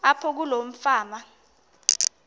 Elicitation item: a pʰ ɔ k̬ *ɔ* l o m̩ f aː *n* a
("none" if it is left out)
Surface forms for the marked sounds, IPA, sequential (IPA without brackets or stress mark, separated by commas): u, m